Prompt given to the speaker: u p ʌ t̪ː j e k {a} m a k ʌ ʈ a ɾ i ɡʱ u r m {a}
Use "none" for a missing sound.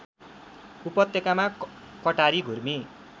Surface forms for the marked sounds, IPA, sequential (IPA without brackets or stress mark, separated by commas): a, i